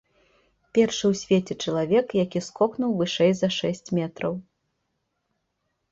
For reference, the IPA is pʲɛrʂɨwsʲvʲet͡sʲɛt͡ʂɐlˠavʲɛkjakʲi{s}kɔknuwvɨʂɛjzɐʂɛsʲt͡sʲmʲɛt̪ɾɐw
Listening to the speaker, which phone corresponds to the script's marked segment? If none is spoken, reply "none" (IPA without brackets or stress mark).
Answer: s